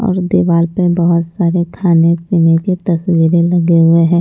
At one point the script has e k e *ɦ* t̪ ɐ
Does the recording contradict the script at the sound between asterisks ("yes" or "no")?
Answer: yes